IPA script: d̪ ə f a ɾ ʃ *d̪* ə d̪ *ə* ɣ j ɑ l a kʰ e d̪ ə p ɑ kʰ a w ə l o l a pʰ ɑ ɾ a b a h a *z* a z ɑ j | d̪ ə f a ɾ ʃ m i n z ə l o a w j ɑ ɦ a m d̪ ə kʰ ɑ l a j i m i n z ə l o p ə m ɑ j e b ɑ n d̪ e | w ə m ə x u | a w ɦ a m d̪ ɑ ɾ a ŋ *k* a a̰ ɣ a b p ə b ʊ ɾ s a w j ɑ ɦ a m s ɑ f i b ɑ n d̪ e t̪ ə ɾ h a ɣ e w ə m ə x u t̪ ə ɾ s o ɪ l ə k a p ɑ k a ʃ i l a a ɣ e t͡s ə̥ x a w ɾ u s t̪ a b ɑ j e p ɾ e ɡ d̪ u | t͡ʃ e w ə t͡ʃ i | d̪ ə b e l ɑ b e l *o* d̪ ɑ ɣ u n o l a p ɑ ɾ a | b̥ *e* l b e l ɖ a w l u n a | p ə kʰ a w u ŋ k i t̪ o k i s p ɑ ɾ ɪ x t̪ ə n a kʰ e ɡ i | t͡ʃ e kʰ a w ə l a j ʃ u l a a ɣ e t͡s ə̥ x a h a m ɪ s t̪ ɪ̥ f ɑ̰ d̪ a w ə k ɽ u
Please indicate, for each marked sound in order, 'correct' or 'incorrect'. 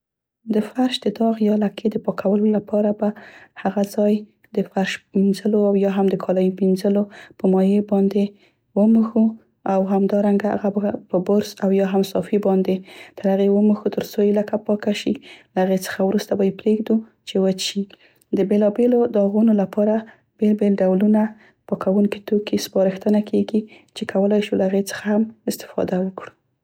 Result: correct, incorrect: ɑ, incorrect: ɣ, incorrect: ɡ, correct, correct

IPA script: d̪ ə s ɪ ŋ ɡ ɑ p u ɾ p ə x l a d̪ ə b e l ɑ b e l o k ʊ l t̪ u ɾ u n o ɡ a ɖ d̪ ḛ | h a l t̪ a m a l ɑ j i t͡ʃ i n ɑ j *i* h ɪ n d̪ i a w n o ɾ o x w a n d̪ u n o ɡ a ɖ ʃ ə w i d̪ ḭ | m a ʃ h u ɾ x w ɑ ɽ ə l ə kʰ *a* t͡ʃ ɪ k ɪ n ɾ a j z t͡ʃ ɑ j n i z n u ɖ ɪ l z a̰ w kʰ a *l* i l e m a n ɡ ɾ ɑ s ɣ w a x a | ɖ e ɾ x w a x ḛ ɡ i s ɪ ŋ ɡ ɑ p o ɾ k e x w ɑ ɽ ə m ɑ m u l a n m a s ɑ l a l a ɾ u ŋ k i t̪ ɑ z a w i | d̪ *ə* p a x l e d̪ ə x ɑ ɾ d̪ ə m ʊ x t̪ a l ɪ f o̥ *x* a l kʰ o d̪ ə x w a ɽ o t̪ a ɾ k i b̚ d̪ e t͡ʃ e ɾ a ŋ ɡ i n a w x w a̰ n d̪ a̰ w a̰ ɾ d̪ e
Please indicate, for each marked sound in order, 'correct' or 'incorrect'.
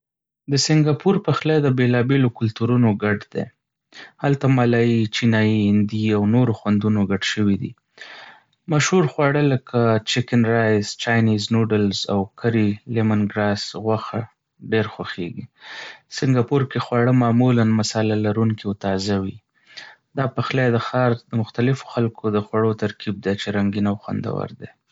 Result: correct, correct, incorrect: ɾ, incorrect: ɑ, correct

